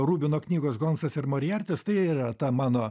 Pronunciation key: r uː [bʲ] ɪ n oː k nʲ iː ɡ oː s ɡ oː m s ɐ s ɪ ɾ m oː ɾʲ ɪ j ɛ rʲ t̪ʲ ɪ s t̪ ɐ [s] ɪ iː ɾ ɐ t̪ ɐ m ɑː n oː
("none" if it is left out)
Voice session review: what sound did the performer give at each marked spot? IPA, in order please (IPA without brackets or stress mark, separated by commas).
bʲ, none